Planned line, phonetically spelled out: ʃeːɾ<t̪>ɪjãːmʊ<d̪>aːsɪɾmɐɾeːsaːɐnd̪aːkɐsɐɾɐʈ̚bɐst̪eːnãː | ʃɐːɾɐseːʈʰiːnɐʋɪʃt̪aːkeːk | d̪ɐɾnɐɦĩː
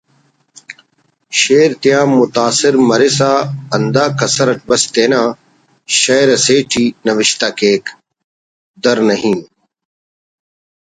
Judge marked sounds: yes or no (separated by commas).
yes, no